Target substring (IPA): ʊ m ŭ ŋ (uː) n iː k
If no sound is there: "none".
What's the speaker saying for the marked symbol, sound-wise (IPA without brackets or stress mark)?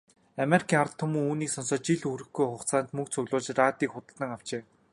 uː